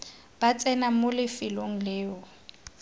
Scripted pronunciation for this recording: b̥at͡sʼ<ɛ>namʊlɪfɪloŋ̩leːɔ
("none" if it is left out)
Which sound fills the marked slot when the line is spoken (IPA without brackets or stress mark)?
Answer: ɛ